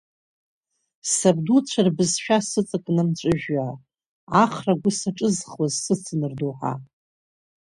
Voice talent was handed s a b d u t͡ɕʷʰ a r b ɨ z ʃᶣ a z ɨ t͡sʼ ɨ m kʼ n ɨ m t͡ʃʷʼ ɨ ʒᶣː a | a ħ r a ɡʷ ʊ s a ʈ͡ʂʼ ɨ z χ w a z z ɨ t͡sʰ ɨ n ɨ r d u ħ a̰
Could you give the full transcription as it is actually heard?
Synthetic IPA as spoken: s a b d u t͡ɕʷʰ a r b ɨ z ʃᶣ a s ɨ t͡sʼ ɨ kʼ n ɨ m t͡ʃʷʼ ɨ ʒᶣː a | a χ r a ɡʷ ʊ s a ʈ͡ʂʼ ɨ z χ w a z s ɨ t͡sʰ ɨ n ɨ r d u ħ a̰